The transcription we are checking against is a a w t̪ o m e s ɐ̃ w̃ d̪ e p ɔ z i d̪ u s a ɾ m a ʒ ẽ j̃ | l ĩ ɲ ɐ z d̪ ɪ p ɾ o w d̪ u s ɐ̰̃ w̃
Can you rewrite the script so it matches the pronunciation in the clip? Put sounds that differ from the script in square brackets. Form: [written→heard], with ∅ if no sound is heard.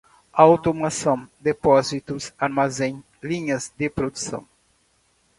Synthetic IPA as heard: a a w t̪ o m [e→a] s ɐ̃ w̃ d̪ e p ɔ z i [d̪→t̪] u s a ɾ m a [ʒ→z] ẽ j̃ | l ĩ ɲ ɐ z d̪ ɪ p ɾ o [w→∅] d̪ u s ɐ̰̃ w̃